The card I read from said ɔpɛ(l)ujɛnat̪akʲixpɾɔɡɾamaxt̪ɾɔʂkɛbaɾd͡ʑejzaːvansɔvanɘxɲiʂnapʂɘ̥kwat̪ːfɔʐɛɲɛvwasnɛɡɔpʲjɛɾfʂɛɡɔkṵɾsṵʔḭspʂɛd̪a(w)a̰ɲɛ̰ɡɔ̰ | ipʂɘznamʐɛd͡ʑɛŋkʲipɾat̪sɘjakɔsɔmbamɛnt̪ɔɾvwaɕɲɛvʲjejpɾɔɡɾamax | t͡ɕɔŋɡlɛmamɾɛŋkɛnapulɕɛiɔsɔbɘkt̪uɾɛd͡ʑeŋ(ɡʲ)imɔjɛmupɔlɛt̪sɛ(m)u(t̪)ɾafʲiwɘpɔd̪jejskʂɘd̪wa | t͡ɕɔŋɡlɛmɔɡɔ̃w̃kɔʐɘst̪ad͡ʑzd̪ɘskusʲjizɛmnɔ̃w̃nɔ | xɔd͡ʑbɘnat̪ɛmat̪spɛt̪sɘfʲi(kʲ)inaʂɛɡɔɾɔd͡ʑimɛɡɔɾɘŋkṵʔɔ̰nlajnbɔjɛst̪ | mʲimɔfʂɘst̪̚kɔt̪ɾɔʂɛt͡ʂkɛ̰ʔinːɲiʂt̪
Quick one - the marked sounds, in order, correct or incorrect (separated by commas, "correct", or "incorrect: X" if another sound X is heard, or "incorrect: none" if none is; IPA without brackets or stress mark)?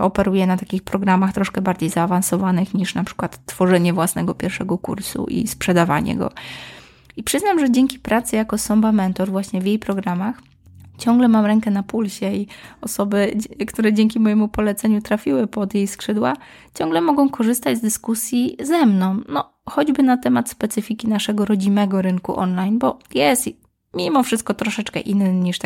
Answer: incorrect: ɾ, incorrect: v, incorrect: kʲ, incorrect: ɲ, correct, correct